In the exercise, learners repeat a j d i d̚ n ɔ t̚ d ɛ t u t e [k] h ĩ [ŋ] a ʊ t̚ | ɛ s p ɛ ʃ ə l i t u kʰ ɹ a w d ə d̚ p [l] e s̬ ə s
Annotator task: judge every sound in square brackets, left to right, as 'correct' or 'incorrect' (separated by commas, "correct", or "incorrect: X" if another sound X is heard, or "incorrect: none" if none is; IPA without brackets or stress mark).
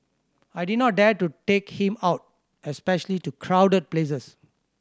correct, incorrect: m, correct